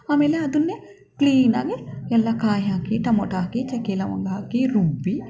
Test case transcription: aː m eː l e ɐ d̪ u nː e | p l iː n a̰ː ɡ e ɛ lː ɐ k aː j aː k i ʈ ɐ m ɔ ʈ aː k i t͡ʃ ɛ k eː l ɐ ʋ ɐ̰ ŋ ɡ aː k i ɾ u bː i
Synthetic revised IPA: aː m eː l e ɐ d̪ u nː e | k l iː n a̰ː ɡ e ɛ lː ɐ k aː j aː k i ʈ ɐ m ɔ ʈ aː k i t͡ʃ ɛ k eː l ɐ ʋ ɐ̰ ŋ ɡ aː k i ɾ u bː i